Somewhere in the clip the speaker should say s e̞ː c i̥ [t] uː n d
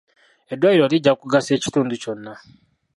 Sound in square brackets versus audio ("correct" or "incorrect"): correct